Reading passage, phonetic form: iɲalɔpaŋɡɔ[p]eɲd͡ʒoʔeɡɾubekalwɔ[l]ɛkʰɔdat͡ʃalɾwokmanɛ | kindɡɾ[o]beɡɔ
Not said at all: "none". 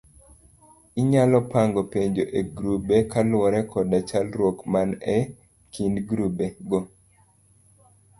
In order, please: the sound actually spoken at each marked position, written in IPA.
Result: p, ɾ, u

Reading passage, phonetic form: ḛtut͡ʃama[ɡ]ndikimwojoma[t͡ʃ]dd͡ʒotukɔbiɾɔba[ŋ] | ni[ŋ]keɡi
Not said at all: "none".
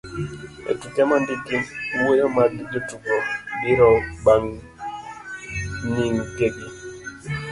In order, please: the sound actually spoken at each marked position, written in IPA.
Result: none, none, ŋ, ŋ

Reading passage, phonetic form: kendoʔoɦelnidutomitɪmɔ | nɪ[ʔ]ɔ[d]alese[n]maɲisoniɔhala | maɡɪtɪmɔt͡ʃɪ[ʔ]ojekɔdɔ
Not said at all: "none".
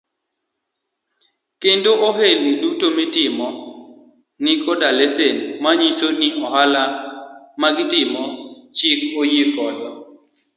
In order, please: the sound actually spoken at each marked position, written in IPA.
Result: k, d, n, k

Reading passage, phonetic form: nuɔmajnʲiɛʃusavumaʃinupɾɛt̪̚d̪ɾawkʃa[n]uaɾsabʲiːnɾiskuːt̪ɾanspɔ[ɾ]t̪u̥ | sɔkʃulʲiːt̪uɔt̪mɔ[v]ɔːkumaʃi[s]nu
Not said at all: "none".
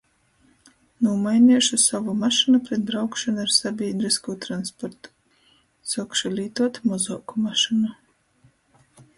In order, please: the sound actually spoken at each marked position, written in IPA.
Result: n, ɾ, z, none

